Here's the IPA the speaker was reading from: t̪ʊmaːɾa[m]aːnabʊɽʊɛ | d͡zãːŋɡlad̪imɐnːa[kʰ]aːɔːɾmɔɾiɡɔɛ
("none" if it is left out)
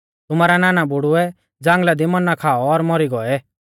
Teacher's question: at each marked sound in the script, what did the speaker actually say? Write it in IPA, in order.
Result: n, kʰ

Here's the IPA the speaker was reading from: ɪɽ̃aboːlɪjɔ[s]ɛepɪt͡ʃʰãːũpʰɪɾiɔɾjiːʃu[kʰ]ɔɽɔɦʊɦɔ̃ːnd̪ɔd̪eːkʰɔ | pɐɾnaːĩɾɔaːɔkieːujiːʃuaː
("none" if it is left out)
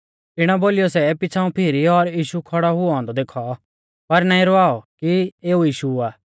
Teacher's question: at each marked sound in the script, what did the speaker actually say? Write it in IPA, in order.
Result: s, kʰ

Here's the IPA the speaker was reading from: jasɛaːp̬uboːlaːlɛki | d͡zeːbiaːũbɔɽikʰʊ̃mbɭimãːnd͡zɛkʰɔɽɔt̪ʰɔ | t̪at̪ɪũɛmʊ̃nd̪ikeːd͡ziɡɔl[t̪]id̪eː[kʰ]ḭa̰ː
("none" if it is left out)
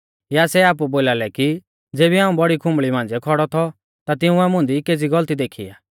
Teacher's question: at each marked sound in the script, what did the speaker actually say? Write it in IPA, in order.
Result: t̪, kʰ

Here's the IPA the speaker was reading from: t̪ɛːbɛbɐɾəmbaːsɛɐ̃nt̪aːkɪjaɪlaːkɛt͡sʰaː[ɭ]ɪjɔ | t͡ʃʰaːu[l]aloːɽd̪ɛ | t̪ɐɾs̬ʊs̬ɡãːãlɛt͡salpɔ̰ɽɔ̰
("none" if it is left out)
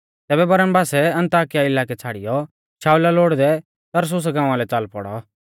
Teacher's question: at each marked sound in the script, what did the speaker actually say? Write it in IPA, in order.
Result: ɽ, l

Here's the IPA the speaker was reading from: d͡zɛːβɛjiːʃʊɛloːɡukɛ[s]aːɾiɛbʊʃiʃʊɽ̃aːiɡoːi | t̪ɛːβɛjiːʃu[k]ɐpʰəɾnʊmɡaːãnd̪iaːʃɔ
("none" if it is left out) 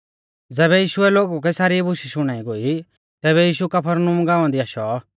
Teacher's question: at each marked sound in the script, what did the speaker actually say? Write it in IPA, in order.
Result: s, k

